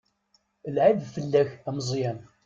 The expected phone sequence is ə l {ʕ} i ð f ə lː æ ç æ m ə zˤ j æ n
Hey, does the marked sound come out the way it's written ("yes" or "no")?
yes